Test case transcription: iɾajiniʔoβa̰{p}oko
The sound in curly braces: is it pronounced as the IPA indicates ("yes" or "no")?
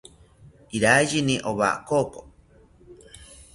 no